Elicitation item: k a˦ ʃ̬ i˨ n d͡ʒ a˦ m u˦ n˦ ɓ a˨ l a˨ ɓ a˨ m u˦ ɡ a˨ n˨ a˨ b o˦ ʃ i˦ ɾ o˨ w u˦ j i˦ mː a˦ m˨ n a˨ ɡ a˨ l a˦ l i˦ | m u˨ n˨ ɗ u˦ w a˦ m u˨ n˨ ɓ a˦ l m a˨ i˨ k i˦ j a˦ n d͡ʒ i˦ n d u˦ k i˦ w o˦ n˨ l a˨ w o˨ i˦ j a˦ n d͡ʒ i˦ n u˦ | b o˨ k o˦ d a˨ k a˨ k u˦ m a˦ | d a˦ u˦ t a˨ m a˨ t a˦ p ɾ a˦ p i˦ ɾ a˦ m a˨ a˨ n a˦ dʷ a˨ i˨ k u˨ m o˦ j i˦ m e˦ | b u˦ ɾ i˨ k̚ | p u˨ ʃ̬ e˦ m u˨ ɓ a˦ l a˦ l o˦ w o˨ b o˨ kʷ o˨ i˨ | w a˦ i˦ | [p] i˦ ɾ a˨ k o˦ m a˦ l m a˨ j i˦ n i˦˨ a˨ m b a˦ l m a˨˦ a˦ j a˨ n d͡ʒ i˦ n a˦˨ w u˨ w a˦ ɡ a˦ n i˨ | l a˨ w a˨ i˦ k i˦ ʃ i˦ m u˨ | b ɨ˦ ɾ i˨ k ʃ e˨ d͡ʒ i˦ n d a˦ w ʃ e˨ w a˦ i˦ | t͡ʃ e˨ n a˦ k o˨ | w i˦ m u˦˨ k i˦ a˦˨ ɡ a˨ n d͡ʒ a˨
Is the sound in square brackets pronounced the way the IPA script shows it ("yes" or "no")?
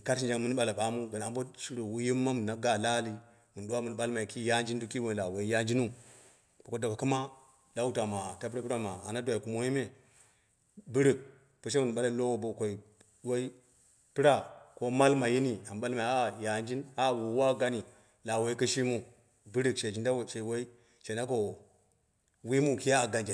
yes